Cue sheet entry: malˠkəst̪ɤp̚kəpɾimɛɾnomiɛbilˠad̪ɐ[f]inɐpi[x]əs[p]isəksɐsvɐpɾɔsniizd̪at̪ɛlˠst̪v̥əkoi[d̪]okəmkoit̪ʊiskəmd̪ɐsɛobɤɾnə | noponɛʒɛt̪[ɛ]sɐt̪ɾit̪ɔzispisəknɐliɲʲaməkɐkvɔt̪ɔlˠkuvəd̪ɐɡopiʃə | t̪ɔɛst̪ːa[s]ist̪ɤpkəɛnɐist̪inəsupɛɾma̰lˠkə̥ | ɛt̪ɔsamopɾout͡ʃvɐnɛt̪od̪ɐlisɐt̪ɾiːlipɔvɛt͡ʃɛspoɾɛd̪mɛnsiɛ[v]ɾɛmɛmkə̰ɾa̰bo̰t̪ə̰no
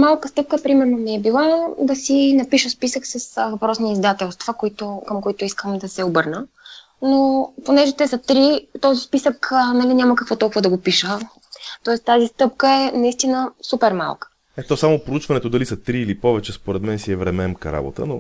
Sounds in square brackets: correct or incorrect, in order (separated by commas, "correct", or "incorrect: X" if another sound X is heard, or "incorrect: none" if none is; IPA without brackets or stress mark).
incorrect: s, incorrect: ʃ, correct, incorrect: t̪, correct, incorrect: z, correct